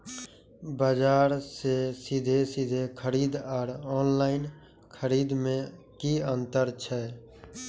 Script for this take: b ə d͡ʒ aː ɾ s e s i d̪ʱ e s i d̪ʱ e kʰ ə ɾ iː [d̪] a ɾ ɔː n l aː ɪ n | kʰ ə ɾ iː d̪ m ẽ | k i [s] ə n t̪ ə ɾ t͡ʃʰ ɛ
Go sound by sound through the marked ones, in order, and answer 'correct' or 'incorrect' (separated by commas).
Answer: correct, incorrect